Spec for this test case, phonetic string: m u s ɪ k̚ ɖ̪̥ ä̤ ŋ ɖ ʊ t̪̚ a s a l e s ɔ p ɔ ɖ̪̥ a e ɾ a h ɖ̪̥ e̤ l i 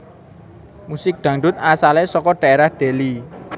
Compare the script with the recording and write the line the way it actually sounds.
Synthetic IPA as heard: m u s ɪ k̚ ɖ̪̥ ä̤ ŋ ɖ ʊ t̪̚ a s a l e s ɔ k ɔ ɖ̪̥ a e ɾ a h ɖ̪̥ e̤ l i